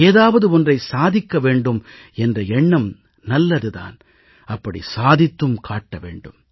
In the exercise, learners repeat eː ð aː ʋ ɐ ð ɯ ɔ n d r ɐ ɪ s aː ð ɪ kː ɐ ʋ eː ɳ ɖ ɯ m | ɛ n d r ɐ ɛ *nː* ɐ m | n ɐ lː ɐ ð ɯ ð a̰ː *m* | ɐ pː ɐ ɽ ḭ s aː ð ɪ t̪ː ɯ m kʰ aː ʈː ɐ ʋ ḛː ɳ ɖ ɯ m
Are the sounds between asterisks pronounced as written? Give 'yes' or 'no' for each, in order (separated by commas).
no, no